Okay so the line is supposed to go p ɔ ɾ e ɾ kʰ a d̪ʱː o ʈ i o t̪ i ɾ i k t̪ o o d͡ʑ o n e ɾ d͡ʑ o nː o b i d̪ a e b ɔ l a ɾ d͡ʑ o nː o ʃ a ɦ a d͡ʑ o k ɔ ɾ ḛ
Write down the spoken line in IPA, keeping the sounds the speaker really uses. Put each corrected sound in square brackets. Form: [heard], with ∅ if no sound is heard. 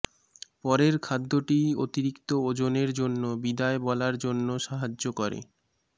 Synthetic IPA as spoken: p ɔ ɾ e ɾ kʰ a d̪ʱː o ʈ i o t̪ i ɾ i k t̪ o o d͡ʑ o n e ɾ d͡ʑ o nː o b i d̪ a e b ɔ l a ɾ d͡ʑ o nː o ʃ a ɦ a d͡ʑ o k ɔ ɾ ḛ